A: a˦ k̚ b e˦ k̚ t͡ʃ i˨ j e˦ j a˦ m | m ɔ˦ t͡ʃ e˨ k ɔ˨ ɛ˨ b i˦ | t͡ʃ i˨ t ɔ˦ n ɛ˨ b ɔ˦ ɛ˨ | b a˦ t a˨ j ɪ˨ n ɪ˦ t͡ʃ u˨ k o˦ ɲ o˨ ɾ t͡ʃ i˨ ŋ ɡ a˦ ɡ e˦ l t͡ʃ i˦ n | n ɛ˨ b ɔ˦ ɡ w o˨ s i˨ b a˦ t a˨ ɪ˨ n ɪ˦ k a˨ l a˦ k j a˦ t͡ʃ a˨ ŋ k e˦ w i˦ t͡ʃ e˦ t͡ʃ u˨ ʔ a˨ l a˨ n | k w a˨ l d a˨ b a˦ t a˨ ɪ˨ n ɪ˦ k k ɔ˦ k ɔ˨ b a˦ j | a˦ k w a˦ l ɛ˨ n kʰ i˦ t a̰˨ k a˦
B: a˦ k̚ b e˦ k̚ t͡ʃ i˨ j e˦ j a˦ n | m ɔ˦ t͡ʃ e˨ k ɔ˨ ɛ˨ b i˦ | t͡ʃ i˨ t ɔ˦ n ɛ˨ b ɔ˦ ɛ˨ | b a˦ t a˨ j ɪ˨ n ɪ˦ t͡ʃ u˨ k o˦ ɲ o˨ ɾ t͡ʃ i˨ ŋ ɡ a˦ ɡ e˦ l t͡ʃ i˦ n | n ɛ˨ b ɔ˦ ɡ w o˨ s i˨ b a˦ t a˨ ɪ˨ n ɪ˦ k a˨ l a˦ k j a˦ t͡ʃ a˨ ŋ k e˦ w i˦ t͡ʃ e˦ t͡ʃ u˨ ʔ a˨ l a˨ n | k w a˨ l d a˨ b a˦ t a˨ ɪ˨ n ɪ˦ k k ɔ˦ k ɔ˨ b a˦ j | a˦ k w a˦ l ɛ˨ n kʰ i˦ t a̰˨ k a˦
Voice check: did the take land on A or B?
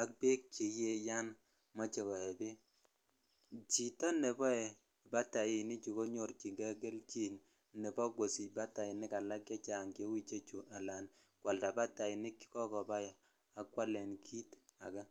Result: B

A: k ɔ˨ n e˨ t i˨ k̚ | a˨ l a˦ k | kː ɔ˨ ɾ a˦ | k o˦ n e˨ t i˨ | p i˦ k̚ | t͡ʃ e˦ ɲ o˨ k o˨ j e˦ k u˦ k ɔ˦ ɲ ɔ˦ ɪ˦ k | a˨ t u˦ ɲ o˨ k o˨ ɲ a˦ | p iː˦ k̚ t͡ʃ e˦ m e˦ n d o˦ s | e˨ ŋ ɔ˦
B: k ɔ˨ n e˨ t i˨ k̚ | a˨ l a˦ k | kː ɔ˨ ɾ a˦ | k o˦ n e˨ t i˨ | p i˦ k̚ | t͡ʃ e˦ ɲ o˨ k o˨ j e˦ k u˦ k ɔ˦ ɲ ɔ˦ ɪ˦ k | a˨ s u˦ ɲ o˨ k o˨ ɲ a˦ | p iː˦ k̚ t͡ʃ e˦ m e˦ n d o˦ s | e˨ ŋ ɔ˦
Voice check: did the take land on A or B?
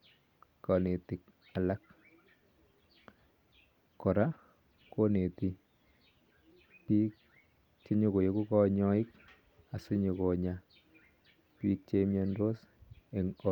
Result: B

